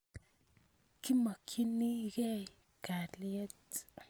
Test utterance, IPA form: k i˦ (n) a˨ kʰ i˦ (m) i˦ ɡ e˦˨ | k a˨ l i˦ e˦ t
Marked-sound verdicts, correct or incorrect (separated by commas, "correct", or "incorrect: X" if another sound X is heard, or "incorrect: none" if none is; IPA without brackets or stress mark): incorrect: m, incorrect: n